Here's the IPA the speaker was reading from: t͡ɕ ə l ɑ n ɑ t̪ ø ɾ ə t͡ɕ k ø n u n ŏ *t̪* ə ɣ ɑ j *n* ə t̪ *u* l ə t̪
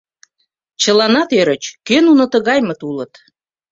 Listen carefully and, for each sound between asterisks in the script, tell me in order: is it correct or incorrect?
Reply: correct, incorrect: m, correct

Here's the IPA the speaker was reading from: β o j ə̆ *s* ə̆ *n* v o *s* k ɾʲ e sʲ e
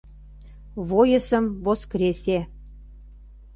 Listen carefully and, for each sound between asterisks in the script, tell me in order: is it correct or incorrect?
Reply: correct, incorrect: m, correct

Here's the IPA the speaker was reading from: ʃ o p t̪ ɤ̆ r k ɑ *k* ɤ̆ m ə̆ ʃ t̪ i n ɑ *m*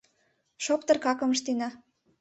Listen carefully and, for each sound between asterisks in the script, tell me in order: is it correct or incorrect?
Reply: correct, incorrect: none

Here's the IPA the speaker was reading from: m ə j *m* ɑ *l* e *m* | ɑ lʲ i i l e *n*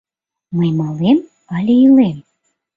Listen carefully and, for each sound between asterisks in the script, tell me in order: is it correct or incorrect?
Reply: correct, correct, correct, incorrect: m

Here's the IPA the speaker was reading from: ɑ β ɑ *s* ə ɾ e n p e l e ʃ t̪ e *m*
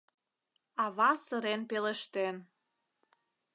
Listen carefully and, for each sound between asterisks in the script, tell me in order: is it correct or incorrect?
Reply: correct, incorrect: n

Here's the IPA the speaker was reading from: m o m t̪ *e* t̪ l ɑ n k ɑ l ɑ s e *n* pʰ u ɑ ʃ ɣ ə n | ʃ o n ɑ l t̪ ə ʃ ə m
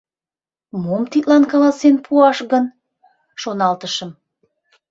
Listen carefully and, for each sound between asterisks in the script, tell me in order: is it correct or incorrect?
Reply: incorrect: i, correct

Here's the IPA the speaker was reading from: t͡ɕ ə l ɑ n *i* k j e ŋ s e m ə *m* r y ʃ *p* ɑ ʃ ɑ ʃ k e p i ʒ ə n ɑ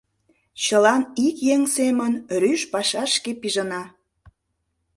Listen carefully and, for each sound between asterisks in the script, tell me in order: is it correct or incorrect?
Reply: correct, incorrect: n, correct

